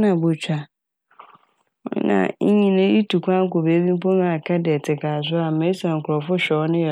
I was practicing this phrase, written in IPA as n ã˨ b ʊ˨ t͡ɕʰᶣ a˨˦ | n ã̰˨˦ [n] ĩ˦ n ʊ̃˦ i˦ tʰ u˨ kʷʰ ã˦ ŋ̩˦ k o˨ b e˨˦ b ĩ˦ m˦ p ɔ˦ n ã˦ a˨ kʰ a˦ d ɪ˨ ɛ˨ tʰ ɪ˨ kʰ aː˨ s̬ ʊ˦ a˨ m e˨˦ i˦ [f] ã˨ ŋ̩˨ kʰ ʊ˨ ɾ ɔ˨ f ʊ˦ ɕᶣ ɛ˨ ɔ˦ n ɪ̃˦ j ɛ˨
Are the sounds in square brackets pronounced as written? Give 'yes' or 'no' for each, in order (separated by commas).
no, no